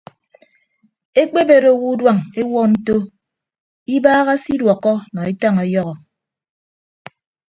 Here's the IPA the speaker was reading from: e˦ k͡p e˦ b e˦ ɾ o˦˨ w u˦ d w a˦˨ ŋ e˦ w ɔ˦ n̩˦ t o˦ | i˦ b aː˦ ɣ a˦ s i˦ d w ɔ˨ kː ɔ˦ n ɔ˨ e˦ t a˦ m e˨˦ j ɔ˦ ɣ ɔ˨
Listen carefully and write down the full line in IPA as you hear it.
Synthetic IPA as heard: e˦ k͡p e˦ b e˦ ɾ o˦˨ w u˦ d w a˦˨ ŋ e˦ w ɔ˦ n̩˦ t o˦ | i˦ b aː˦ ɣ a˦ s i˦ d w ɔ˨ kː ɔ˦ n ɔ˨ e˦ t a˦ ŋ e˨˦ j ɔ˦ ɣ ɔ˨